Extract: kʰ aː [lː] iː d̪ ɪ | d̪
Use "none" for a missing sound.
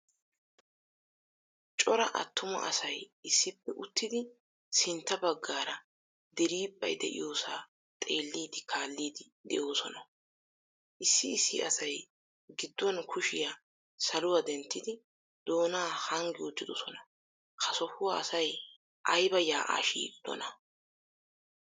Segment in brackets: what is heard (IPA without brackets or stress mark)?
lː